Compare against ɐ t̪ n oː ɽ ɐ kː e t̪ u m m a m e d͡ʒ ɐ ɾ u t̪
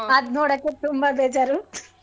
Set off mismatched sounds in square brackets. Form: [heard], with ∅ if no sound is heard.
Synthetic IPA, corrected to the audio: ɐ [d̪] n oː ɽ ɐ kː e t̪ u m [b] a [b] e d͡ʒ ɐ ɾ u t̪